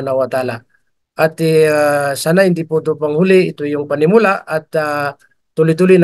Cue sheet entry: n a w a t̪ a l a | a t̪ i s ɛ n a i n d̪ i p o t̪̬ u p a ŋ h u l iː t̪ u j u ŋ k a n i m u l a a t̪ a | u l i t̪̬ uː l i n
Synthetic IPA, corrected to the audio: n a w a t̪ a l a | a t̪ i s a n a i n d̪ i p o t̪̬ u p a ŋ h u l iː t̪ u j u ŋ p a n i m u l a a t̪ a | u l i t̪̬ u l i n